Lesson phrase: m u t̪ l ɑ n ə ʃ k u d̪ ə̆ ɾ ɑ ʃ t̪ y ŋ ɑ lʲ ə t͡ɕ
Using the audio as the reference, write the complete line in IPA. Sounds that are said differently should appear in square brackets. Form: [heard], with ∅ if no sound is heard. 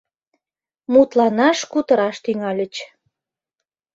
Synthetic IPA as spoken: m u t̪ l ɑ n [ɑ] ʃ k u [t̪] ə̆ ɾ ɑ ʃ t̪ y ŋ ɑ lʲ ə t͡ɕ